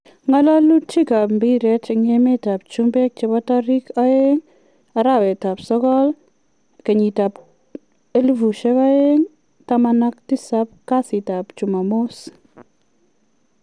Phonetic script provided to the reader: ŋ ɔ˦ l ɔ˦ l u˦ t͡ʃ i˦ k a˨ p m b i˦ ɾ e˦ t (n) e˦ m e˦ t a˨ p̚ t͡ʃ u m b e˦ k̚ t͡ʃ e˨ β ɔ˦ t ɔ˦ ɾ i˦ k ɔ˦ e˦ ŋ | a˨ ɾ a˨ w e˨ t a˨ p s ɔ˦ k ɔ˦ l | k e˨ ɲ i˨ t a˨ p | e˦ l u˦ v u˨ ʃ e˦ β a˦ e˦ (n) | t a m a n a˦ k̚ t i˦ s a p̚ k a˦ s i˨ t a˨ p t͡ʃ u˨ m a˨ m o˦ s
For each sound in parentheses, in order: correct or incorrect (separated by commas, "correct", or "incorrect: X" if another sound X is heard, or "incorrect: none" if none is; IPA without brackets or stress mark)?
incorrect: ŋ, incorrect: ŋ